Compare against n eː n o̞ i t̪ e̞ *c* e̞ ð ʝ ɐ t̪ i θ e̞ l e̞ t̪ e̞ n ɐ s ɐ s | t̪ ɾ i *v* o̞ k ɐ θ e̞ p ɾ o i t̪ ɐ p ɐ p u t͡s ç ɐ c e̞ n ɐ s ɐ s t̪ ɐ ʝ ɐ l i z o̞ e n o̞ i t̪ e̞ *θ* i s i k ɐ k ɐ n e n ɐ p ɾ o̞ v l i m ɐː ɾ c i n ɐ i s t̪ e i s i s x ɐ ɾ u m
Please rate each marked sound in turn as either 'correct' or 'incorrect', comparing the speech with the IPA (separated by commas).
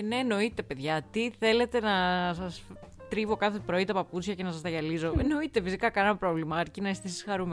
incorrect, correct, incorrect